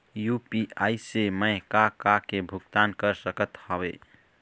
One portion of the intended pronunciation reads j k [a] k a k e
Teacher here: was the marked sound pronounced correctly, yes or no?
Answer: yes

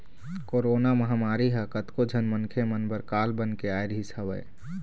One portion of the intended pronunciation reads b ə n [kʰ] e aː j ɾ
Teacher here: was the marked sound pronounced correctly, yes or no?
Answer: no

